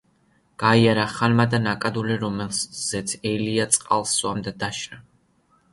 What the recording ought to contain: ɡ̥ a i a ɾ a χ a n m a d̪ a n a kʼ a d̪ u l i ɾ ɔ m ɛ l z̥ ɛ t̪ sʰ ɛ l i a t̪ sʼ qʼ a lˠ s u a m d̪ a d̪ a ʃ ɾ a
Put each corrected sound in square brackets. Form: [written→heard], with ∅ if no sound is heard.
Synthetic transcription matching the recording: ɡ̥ a i a ɾ a χ a n m a d̪ a n a kʼ a d̪ u l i ɾ ɔ m ɛ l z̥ ɛ t̪ sʰ ɛ l i a t̪ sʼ qʼ a lˠ s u a m d̪ a d̪ a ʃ ɾ a